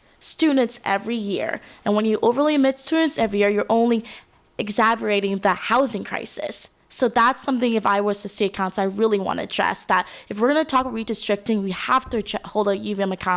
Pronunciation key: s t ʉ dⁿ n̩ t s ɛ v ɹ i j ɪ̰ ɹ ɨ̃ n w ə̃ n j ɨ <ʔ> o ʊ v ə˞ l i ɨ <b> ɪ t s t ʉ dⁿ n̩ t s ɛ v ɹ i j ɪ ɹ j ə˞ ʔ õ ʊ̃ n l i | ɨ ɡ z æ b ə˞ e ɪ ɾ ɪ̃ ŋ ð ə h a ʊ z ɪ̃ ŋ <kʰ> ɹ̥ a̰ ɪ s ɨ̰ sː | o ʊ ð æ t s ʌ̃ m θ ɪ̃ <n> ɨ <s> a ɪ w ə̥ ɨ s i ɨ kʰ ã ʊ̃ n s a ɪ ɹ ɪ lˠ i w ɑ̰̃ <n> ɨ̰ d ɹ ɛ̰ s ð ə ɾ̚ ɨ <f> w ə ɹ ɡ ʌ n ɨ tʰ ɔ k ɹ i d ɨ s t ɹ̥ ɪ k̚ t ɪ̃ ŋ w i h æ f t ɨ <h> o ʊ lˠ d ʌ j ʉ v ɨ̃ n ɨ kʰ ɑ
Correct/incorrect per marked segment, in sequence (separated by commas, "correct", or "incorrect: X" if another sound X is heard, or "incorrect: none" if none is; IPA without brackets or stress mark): correct, incorrect: m, correct, incorrect: ŋ, incorrect: f, correct, correct, correct